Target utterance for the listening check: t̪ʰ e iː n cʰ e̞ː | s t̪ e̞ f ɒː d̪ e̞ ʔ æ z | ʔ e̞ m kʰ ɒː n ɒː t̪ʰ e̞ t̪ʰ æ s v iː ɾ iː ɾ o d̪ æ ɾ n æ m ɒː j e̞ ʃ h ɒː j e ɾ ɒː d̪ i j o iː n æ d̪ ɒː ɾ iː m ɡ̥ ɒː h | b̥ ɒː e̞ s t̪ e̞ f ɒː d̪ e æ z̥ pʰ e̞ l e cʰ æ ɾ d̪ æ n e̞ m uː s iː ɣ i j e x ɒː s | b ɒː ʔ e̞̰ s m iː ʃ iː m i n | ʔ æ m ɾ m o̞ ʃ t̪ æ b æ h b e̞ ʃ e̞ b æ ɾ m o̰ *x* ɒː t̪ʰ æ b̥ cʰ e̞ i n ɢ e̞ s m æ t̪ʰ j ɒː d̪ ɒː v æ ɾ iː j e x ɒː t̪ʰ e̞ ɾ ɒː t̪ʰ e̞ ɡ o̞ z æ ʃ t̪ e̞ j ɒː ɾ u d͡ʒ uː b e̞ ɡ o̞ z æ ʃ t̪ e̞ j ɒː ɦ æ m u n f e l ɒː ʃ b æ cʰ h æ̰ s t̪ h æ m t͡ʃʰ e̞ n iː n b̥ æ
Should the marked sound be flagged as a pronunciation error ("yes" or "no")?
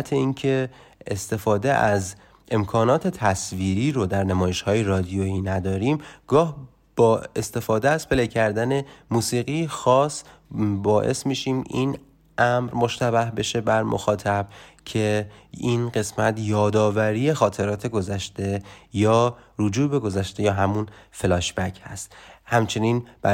no